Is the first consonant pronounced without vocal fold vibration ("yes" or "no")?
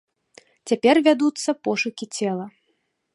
yes